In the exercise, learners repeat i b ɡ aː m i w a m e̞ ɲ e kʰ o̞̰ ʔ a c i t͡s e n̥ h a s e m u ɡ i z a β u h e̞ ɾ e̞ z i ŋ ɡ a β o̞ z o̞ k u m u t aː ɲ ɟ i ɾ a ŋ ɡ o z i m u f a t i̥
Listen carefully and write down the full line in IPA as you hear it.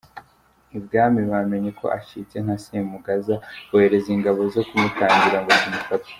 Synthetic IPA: i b ɡ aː m i β a m e̞ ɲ e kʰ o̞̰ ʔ a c i t͡s e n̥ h a s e m u ɡ a z a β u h e̞ ɾ e̞ z i ŋ ɡ a β o̞ z o̞ k u m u t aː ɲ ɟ i ɾ a ŋ ɡ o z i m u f a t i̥